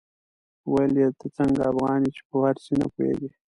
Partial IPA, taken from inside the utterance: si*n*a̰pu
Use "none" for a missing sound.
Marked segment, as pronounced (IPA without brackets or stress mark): n